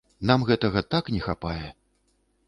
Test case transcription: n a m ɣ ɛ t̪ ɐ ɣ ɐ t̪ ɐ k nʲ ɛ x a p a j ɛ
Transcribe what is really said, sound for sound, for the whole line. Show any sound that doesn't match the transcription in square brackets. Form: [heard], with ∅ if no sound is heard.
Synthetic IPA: n a m ɣ ɛ t̪ ɐ ɣ ɐ t̪ [a] k nʲ ɛ x a p a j ɛ